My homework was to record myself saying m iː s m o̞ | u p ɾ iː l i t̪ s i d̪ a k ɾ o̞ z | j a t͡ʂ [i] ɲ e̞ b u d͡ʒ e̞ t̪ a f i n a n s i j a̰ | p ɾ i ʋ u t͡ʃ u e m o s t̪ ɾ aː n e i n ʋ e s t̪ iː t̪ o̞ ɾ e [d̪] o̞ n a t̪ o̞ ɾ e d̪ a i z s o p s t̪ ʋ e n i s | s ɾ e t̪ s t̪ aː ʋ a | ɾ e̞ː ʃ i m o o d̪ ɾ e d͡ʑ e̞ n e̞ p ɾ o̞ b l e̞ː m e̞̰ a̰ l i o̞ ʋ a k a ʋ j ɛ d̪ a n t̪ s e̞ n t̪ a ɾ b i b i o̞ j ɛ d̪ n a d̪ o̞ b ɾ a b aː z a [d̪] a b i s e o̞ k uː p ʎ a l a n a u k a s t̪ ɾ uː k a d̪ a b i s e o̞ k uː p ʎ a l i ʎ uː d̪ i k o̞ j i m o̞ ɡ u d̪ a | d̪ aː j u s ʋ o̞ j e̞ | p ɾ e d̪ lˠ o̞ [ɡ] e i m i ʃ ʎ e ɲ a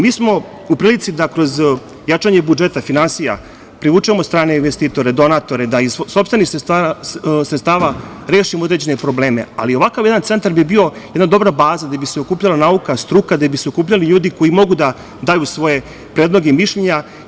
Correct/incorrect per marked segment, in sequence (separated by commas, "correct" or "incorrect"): incorrect, correct, correct, correct